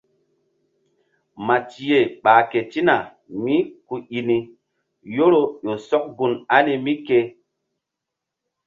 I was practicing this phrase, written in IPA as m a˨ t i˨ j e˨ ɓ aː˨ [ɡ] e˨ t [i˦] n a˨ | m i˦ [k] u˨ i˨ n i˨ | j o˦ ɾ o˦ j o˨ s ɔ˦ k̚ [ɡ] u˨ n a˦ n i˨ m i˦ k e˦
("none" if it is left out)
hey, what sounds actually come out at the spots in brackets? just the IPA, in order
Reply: k, i˦, k, ɡ

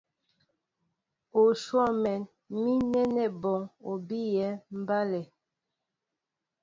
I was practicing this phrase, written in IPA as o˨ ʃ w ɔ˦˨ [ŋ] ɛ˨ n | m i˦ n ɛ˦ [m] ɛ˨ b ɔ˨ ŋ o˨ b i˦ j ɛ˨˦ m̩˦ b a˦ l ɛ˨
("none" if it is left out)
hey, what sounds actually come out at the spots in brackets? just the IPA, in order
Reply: m, n

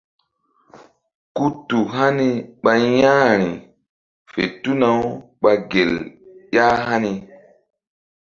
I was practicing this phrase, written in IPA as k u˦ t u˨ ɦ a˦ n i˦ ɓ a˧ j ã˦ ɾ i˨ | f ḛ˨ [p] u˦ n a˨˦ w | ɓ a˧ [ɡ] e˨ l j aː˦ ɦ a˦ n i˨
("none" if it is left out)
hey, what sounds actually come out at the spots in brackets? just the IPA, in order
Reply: t, ɡ

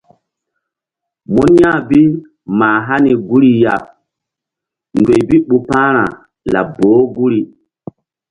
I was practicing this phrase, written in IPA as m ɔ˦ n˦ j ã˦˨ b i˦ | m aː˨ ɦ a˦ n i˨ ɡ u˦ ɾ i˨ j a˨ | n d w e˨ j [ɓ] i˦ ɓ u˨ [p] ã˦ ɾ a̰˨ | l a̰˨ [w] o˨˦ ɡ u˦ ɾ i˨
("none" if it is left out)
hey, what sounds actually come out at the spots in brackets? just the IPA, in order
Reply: b, p, b

